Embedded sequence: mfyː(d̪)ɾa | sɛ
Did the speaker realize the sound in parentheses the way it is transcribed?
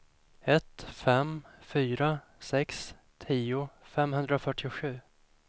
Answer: no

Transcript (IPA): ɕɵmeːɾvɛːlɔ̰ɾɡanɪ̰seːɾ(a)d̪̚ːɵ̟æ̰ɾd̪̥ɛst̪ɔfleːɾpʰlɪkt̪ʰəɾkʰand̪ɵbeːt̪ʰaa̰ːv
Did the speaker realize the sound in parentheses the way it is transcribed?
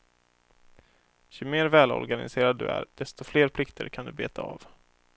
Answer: yes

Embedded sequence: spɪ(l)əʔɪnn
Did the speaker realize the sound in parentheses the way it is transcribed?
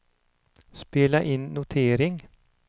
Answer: yes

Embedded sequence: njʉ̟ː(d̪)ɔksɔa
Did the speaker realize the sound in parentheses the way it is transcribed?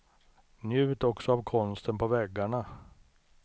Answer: no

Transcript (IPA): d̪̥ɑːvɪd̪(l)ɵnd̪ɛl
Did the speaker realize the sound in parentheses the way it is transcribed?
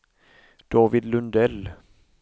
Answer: yes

